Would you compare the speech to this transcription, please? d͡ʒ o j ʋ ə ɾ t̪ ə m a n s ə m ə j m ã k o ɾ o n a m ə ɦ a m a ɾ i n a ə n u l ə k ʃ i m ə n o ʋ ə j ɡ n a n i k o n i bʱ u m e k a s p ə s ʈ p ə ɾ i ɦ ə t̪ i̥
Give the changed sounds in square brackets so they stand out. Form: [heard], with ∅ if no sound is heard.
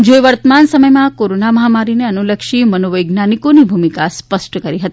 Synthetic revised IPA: d͡ʒ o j ʋ ə ɾ t̪ ə m a n s ə m ə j m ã k o ɾ o n a m ə ɦ a m a ɾ i n [e] ə n u l ə k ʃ i m ə n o ʋ ə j ɡ n a n i k o n i bʱ u m [i] k a s p ə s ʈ [k] ə ɾ i ɦ ə t̪ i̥